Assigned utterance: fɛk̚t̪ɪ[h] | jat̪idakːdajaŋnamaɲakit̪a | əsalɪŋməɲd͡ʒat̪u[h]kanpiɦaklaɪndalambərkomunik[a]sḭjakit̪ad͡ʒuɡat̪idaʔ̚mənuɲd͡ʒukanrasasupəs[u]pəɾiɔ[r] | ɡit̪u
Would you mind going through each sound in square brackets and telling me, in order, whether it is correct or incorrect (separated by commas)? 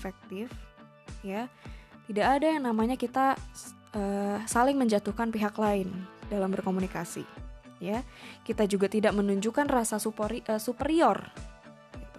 incorrect, correct, correct, correct, correct